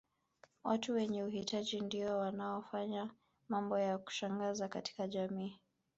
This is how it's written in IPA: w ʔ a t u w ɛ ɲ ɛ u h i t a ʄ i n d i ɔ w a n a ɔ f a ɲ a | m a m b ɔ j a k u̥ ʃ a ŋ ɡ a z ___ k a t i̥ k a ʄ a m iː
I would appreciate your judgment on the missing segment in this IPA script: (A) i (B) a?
B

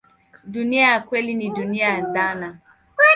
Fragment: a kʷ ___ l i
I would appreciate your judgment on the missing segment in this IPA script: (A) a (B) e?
B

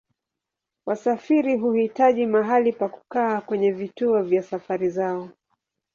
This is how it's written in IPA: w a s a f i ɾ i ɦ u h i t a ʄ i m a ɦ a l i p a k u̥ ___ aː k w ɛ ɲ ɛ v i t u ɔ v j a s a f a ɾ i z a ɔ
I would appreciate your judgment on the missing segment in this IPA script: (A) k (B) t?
A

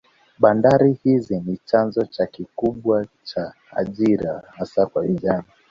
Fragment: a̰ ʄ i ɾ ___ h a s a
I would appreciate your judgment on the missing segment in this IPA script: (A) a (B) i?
A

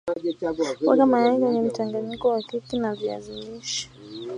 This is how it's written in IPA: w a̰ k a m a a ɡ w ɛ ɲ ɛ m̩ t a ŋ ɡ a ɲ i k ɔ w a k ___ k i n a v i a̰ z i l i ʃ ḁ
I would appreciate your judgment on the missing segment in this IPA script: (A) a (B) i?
B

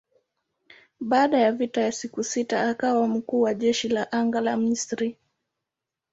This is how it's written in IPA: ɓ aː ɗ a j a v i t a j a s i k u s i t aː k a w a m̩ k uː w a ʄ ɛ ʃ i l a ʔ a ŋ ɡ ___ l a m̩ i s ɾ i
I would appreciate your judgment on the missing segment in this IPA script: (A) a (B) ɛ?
A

